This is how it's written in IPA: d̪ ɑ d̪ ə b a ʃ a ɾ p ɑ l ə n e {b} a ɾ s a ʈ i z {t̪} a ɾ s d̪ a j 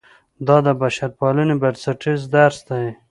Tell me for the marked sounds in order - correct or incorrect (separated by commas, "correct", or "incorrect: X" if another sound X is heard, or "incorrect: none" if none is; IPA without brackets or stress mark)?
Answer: correct, incorrect: d̪